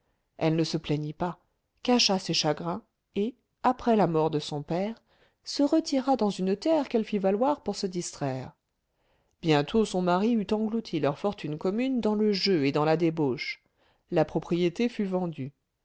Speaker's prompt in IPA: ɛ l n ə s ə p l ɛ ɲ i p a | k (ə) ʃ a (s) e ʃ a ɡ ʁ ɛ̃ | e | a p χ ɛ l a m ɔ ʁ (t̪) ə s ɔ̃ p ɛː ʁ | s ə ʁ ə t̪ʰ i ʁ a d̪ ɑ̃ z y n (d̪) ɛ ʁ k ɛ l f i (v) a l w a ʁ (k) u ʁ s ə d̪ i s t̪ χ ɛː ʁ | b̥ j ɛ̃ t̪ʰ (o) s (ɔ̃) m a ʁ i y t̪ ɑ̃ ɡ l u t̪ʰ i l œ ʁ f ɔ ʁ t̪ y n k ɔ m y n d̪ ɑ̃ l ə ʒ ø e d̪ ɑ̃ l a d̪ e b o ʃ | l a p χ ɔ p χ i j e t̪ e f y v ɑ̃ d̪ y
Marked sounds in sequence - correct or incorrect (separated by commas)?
incorrect, correct, incorrect, incorrect, correct, incorrect, correct, correct